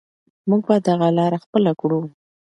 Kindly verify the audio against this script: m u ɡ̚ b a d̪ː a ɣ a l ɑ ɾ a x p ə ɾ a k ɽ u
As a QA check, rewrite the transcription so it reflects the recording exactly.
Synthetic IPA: m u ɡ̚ b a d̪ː a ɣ a l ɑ ɾ a x p ə l a k ɽ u